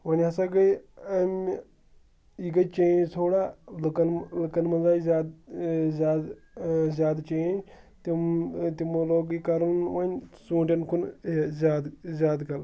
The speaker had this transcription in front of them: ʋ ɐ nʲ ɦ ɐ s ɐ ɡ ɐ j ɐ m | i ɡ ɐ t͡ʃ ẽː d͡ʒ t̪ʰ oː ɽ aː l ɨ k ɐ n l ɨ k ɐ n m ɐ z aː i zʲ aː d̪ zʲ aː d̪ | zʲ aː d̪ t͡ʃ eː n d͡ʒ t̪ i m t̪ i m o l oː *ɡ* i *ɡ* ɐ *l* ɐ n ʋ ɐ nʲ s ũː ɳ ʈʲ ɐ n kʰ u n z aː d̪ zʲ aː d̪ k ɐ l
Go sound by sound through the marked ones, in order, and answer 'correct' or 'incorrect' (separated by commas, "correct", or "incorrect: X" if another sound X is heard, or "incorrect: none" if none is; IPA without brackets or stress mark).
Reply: correct, incorrect: k, incorrect: ɾ